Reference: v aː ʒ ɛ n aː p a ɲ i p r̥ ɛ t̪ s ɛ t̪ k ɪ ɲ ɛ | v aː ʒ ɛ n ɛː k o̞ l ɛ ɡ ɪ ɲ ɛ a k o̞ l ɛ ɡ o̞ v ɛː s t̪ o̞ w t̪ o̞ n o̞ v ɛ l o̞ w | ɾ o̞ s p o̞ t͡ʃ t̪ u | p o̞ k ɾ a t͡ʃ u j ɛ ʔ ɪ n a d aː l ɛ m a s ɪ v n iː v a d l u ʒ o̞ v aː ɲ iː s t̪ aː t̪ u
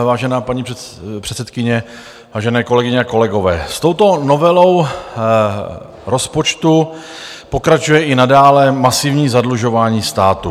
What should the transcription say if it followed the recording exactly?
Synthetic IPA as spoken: v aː ʒ ɛ n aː p a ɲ i p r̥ ɛ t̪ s ɛ t̪ k ɪ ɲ ɛ | v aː ʒ ɛ n ɛː k o̞ l ɛ ɡ ɪ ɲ ɛ a k o̞ l ɛ ɡ o̞ v ɛː s t̪ o̞ w t̪ o̞ n o̞ v ɛ l o̞ w | ɾ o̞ s p o̞ t͡ʃ t̪ u | p o̞ k ɾ a t͡ʃ u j ɛ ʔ ɪ n a d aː l ɛ m a s ɪ v ɲ iː z a d l u ʒ o̞ v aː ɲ iː s t̪ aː t̪ u